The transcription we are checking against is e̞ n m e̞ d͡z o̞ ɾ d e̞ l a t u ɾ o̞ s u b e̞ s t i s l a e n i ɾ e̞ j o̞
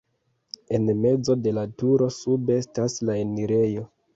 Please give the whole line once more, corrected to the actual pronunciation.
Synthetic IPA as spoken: e̞ n m e̞ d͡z o̞ d e̞ l a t u ɾ o̞ s u b e̞ s t a s l a e n i ɾ e̞ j o̞